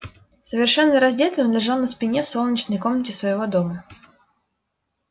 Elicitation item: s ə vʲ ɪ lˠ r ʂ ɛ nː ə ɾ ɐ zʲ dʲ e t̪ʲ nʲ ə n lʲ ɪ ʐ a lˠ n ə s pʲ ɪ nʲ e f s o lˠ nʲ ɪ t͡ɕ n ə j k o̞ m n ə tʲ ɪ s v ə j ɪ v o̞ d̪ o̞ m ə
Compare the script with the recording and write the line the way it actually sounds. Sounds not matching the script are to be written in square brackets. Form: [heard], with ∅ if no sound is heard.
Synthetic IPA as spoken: s ə vʲ ɪ [∅] r ʂ ɛ nː ə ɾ ɐ zʲ dʲ e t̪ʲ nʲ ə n lʲ ɪ ʐ a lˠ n ə s pʲ ɪ nʲ e f s o lˠ nʲ ɪ t͡ɕ n ə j k o̞ m n ə tʲ ɪ s v ə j ɪ v o̞ d̪ o̞ m ə